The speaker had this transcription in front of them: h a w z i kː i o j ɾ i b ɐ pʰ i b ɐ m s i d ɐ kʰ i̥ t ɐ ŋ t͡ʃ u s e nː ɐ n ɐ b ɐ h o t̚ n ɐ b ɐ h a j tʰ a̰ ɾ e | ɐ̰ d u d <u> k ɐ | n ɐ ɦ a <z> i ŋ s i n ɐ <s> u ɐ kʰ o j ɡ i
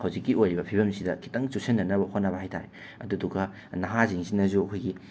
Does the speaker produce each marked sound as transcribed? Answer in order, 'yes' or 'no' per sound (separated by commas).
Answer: yes, yes, no